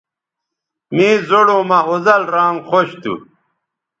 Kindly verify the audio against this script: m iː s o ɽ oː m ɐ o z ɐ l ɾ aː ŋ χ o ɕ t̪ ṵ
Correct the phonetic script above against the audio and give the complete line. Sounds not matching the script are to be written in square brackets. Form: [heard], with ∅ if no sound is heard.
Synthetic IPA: m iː [z] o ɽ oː m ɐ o z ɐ l ɾ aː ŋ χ o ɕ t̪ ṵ